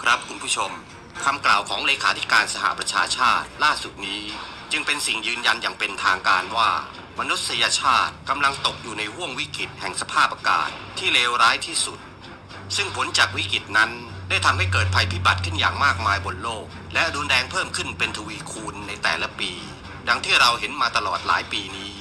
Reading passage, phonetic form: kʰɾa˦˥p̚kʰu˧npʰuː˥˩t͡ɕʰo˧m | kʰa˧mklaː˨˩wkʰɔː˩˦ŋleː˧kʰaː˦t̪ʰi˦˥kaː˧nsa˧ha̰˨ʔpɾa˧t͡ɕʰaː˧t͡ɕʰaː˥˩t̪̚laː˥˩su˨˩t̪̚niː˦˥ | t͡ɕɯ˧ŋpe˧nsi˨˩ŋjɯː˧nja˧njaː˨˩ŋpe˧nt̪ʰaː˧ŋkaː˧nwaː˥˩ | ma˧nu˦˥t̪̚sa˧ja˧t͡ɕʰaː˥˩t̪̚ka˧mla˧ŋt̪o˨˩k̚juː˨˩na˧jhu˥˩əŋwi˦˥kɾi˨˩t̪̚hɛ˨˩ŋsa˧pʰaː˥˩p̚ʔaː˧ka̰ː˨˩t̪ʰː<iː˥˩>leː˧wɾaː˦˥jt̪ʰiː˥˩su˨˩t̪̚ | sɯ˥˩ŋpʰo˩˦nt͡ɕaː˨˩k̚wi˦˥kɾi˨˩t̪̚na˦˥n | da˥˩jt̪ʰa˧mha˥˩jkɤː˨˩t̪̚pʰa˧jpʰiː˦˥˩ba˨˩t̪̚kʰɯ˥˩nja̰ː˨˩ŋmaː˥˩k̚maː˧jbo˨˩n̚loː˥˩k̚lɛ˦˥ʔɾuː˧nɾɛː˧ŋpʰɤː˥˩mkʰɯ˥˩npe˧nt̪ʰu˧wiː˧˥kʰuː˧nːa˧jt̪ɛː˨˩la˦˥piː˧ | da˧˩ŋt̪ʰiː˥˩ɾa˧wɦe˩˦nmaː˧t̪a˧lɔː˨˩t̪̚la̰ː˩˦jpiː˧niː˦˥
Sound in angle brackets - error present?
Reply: no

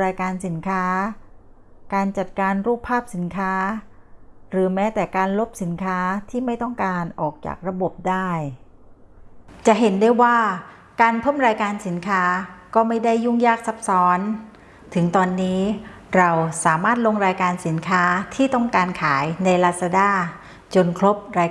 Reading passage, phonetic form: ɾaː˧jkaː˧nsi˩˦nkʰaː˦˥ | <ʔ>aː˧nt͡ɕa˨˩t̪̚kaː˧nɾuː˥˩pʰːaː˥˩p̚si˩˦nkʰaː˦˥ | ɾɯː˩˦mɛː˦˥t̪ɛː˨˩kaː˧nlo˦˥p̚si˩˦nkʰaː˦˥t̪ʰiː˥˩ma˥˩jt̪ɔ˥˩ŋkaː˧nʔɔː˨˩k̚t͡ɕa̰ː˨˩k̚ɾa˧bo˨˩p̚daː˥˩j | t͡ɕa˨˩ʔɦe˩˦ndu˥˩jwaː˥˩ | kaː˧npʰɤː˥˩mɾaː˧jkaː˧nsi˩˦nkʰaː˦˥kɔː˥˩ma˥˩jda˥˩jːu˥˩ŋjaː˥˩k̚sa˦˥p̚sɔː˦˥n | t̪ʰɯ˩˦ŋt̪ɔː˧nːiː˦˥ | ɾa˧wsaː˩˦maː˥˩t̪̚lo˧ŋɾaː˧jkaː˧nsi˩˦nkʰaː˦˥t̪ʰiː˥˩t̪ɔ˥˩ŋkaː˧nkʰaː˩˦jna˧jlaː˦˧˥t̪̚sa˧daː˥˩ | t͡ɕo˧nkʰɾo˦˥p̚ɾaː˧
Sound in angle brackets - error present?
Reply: yes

